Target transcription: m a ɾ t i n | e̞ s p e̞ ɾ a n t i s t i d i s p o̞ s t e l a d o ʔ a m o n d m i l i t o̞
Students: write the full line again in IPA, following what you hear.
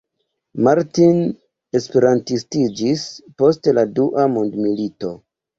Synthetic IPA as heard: m a ɾ t i n | e̞ s p e̞ ɾ a n t i s t i d͡ʒ i s p o̞ s t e l a d u ʔ a m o n d m i l i t o̞

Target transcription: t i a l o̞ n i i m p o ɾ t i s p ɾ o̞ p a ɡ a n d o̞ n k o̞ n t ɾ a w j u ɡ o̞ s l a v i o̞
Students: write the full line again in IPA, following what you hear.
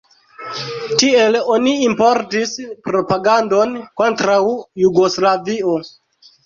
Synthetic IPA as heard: t i e l o̞ n i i m p o ɾ t i s p ɾ o̞ p a ɡ a n d o̞ n k o̞ n t ɾ a w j u ɡ o̞ s l a v i o̞

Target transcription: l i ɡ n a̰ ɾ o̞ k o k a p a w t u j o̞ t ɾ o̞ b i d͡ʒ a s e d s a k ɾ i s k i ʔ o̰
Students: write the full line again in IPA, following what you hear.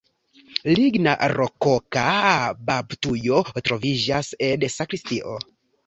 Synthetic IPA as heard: l i ɡ n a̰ ɾ o̞ k o k a b a b t u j o̞ t ɾ o̞ v i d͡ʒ a s e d s a k ɾ i s t i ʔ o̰

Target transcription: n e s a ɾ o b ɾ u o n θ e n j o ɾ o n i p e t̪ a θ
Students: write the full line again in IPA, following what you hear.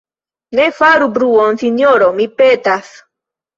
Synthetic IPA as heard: n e f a ɾ u b ɾ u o n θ i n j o ɾ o m i p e t̪ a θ

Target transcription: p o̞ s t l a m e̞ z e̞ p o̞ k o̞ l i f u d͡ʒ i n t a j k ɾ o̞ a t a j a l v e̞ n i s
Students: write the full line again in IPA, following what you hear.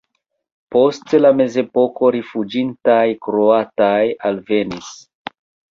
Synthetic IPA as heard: p o̞ s t l a m e̞ z e̞ p o̞ k o̞ ɾ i f u d͡ʒ i n t a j k ɾ o̞ a t a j a l v e̞ n i s

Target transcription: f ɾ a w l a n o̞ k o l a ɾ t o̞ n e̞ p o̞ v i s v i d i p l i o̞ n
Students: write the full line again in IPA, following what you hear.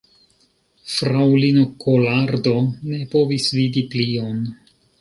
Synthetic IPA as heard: f ɾ a w l i n o̞ k o l a ɾ d o̞ n e̞ p o̞ v i s v i d i p l i o̞ n

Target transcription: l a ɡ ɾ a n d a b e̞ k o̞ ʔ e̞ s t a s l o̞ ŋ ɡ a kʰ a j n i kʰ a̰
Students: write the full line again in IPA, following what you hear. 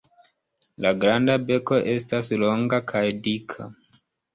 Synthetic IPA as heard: l a ɡ ɾ a n d a b e̞ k o̞ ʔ e̞ s t a s l o̞ ŋ ɡ a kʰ a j d i kʰ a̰

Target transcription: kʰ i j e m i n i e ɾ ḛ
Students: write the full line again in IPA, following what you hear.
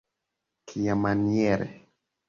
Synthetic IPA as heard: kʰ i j a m a n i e ɾ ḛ

